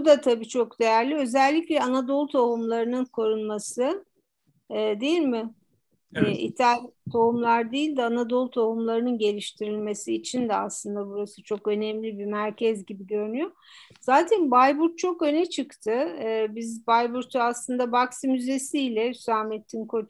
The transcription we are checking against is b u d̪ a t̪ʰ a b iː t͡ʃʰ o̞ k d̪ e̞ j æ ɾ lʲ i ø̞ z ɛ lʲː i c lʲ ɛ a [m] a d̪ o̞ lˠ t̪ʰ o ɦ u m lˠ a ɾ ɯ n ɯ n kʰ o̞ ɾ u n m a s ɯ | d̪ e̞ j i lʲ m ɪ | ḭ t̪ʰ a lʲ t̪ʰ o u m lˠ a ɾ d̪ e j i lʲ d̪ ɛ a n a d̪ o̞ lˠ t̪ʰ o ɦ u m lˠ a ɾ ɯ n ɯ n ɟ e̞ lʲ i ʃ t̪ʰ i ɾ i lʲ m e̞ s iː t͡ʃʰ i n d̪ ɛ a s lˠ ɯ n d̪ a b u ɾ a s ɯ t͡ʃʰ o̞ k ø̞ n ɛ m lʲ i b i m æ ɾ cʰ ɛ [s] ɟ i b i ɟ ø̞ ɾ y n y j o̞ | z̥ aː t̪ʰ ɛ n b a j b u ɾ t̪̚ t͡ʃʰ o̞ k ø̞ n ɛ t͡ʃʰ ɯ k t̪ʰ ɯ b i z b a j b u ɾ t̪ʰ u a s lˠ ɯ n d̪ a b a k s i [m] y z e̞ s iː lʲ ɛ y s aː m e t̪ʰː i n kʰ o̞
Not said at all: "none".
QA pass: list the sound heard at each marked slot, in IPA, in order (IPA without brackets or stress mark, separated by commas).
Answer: n, z, m